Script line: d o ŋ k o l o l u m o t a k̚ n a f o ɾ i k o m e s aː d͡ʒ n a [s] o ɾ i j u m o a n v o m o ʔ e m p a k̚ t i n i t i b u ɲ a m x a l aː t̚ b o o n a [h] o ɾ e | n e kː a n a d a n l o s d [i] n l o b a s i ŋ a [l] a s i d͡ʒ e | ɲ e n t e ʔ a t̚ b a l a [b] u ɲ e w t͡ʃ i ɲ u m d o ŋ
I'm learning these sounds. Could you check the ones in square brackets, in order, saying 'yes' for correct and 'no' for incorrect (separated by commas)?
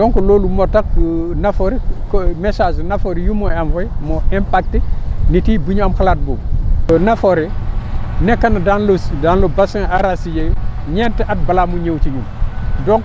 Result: no, no, no, no, no